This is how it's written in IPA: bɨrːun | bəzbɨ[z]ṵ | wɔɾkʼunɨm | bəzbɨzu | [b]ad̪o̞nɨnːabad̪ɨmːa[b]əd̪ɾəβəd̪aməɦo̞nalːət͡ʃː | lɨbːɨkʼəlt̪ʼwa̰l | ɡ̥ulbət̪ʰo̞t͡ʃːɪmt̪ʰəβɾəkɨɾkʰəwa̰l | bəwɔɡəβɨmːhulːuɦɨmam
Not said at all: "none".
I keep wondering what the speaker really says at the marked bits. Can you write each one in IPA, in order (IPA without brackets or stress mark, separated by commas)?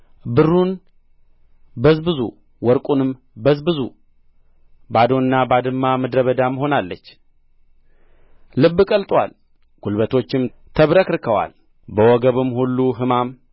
z, b, m